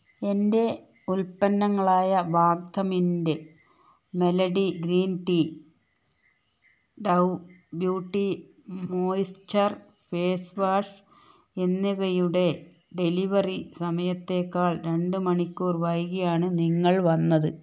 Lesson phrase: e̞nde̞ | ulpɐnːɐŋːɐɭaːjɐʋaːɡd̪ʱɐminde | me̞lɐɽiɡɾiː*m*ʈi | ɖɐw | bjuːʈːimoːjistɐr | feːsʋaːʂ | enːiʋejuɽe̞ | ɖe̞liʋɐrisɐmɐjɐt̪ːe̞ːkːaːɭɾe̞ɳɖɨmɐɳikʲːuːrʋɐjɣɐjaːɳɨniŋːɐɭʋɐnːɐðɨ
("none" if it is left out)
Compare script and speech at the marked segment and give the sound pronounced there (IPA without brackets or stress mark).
n